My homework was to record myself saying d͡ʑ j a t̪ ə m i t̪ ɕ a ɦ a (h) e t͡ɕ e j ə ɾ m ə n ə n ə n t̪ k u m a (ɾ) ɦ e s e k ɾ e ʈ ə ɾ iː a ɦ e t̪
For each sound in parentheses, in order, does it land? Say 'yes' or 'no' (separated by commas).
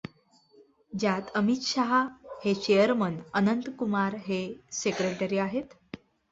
yes, yes